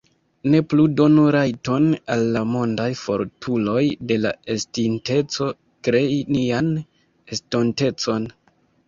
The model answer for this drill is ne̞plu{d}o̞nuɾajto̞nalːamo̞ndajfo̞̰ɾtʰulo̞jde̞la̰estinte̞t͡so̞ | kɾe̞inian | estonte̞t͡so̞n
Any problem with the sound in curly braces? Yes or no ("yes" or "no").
no